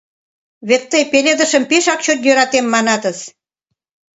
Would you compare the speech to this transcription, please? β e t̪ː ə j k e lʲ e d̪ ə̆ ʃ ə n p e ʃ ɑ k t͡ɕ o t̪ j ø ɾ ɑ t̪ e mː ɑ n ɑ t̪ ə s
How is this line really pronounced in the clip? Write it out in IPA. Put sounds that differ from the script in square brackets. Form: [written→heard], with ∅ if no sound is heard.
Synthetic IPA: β e t̪ː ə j [k→p] e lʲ e d̪ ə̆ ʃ ə [n→m] p e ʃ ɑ k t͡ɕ o t̪ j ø ɾ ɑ t̪ e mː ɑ n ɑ t̪ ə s